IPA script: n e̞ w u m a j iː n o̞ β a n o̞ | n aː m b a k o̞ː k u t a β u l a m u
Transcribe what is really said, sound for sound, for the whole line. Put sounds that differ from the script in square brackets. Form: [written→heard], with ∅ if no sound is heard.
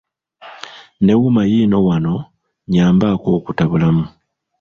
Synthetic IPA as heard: n e̞ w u m a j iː n o̞ [β→w] a n o̞ | [n→ɲ] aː m b a k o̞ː k u t a β u l a m u